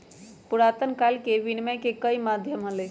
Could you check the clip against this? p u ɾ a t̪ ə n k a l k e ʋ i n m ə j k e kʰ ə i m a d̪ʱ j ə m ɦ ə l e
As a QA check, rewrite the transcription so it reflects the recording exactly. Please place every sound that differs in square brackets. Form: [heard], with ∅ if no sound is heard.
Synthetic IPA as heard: p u ɾ a t̪ ə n k a l k e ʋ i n m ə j k e [k] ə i m a d̪ʱ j ə m ɦ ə l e